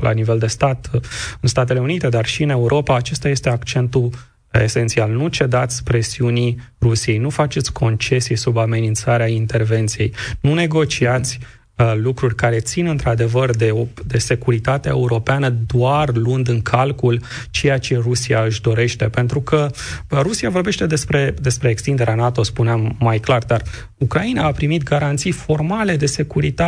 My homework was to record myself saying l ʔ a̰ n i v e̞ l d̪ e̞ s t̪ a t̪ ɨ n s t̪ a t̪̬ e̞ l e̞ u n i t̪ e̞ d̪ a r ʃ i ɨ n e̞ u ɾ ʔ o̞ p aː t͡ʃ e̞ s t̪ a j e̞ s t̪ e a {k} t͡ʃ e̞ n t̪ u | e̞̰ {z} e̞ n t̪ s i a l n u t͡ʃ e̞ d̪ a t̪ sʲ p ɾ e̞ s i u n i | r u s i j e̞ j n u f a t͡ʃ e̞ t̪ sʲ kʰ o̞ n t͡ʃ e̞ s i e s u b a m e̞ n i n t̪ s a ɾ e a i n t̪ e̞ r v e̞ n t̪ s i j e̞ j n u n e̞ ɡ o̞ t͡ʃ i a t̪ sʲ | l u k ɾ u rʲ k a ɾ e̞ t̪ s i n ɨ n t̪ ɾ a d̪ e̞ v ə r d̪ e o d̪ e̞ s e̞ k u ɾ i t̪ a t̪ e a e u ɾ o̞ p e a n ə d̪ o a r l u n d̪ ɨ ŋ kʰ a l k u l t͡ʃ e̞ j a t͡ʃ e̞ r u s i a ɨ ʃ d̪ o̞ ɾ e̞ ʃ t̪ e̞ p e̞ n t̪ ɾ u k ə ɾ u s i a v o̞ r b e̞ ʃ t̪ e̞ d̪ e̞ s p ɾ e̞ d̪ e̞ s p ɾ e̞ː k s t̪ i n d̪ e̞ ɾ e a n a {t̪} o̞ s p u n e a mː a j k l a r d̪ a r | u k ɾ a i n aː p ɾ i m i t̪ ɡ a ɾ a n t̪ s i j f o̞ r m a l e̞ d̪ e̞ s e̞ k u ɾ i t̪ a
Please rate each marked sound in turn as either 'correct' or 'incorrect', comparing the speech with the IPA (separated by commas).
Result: correct, incorrect, correct